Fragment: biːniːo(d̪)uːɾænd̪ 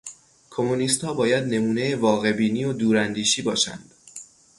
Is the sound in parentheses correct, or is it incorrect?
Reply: correct